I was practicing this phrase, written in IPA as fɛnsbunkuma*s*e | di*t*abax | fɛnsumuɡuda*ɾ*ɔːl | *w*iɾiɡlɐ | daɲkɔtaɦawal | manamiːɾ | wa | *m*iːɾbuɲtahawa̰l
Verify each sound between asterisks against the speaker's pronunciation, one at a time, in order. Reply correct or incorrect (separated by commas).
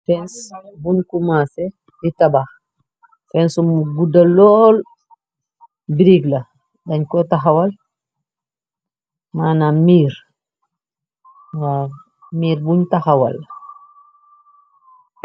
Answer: correct, correct, incorrect, incorrect, correct